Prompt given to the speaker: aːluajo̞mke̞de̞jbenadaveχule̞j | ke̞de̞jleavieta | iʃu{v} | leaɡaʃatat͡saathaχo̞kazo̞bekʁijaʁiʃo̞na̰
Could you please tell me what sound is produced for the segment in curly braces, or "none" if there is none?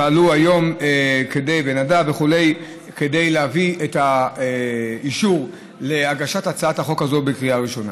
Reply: ʁ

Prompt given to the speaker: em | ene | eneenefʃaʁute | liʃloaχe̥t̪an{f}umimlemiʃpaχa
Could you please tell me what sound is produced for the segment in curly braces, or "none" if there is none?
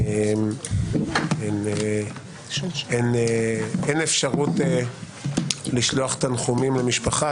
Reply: χ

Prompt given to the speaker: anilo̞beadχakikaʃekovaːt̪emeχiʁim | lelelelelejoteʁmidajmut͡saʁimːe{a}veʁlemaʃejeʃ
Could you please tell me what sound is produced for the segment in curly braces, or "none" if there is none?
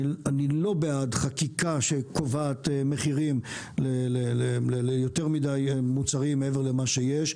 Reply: e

